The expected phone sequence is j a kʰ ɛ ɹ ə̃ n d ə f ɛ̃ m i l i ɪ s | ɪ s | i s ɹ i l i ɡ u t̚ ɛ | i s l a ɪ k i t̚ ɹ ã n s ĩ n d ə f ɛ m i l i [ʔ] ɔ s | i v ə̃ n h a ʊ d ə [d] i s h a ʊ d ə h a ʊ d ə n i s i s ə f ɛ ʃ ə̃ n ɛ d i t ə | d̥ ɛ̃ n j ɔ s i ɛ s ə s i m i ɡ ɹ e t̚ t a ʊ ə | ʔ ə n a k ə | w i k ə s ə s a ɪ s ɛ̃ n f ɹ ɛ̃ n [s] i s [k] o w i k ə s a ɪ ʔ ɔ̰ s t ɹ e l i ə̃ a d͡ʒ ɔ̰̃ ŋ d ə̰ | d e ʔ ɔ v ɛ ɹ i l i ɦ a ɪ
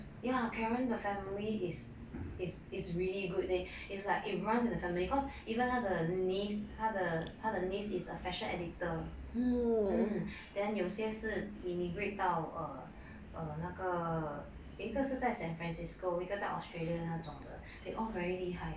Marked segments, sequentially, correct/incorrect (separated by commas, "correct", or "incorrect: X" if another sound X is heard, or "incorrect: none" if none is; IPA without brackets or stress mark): incorrect: k, incorrect: n, correct, correct